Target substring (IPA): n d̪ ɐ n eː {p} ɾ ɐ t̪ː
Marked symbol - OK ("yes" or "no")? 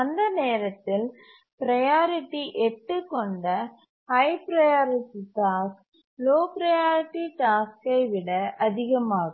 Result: no